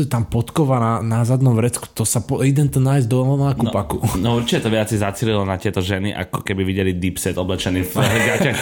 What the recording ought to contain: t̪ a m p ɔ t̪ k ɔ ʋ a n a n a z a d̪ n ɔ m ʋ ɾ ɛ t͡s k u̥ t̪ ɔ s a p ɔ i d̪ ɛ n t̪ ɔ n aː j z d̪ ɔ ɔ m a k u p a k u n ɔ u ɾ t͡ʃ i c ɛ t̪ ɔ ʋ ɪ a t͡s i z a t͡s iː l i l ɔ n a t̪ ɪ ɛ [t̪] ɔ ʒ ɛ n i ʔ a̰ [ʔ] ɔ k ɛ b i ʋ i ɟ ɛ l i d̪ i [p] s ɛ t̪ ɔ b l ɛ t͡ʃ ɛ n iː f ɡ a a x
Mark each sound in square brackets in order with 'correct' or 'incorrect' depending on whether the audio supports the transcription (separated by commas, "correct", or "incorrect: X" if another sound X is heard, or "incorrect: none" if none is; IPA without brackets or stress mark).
correct, incorrect: k, correct